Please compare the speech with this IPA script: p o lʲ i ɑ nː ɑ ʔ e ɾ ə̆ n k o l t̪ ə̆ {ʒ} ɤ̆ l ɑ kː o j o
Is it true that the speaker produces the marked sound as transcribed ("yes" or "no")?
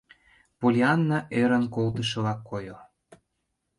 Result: no